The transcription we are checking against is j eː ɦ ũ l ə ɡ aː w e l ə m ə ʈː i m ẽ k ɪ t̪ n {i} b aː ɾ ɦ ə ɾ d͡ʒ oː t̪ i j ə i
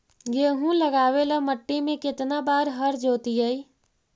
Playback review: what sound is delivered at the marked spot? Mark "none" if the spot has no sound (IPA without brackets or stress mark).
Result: a